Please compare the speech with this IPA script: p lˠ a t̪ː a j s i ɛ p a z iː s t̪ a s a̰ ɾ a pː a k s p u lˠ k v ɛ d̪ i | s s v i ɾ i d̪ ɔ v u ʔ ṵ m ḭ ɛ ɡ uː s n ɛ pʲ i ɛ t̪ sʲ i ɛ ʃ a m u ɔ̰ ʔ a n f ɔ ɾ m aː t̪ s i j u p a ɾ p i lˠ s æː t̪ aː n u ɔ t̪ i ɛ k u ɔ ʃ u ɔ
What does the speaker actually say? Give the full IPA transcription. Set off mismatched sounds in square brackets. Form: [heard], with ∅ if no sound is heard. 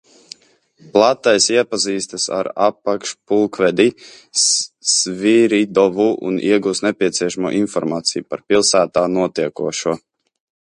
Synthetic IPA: p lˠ a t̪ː a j s i ɛ p a z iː s t̪ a s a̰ ɾ a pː a k [ʃ] p u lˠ k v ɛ d̪ i | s s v i ɾ i d̪ ɔ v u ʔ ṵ [n] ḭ ɛ ɡ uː s n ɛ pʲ i ɛ t̪ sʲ i ɛ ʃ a m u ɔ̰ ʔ [i] n f ɔ ɾ m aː t̪ s i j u p a ɾ p i lˠ s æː t̪ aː n u ɔ t̪ i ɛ k u ɔ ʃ u ɔ